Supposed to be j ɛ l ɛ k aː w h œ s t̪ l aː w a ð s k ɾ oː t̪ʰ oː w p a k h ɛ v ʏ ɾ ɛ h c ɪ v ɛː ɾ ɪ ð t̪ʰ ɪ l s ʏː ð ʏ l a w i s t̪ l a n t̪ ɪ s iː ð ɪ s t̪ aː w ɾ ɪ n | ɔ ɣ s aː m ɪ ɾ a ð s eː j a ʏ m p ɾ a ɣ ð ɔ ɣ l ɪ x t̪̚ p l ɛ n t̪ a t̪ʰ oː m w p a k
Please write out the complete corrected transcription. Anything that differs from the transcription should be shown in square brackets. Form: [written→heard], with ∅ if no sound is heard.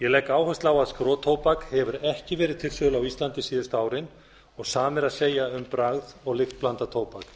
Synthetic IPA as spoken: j ɛ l ɛ k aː w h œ s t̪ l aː w a ð s k ɾ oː t̪ʰ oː w p a k h ɛ v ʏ ɾ ɛ h c ɪ v ɛː ɾ ɪ ð t̪ʰ ɪ l s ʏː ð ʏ l a w i s t̪ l a n t̪ ɪ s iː ð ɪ s t̪ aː w ɾ ɪ n | ɔ ɣ s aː m ɪ ɾ a ð s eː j a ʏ m p ɾ a ɣ ð ɔ ɣ l ɪ x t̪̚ p l [ɛ→a] n t̪ a t̪ʰ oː [m→∅] w p a k

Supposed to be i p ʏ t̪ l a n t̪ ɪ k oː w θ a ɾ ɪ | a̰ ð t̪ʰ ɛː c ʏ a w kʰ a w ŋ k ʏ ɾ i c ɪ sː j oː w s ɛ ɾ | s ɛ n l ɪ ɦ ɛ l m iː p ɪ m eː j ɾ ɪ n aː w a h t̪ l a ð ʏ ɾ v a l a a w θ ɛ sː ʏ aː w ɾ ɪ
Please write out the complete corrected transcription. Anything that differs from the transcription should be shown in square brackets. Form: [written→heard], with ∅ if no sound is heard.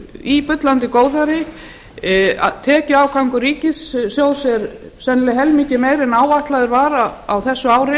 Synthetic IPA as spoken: i p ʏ t̪ l a n t̪ ɪ k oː w [θ→ð] a ɾ ɪ | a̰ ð t̪ʰ ɛː c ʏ a w kʰ a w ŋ k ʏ ɾ [i→iː] c ɪ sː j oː w s ɛ ɾ | s ɛ n l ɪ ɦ ɛ l m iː [p→c] ɪ m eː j ɾ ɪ n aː w a h t̪ l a ð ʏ ɾ v a [l→ɾ] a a w θ ɛ sː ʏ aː w ɾ ɪ

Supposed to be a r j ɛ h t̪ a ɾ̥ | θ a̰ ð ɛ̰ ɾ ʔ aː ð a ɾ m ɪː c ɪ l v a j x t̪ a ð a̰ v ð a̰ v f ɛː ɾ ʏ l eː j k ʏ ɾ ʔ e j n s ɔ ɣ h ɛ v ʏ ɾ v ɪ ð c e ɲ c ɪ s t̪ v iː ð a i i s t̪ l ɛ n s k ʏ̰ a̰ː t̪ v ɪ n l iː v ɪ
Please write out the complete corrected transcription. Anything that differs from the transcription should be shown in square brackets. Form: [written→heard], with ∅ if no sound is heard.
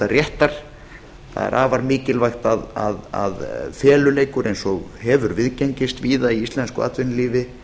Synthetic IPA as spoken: a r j ɛ h t̪ a ɾ̥ | θ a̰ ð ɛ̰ ɾ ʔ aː [ð→v] a ɾ m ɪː c ɪ l v a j x t̪ a ð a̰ [v→∅] ð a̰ [v→ð] f ɛː [ɾ→l] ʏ l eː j k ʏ ɾ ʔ e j n s ɔ ɣ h ɛ v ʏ ɾ v ɪ ð c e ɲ c ɪ s t̪ v iː ð a i i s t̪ l ɛ n s k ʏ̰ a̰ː t̪ v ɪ n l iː v ɪ

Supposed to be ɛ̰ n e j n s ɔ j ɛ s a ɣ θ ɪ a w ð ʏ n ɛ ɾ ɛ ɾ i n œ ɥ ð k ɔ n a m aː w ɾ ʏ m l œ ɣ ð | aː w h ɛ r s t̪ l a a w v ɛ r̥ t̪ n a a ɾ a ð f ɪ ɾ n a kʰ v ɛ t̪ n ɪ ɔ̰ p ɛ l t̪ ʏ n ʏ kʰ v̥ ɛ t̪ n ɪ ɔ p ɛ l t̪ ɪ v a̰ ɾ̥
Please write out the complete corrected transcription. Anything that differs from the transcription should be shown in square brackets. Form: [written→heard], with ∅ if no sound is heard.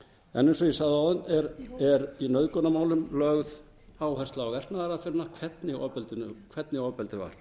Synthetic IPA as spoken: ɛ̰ n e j n s ɔ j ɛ s a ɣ [θ→ð] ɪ a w ð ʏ n ɛ ɾ ɛ ɾ i n œ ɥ ð k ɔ n a m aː w [ɾ→l] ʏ m l œ ɣ ð | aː w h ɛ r s t̪ l a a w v ɛ r̥ t̪ n a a ɾ a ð f ɪ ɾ n a kʰ v ɛ t̪ n ɪ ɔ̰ p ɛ l t̪ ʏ n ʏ kʰ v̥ ɛ t̪ n ɪ ɔ p ɛ l t̪ ɪ v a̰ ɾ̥

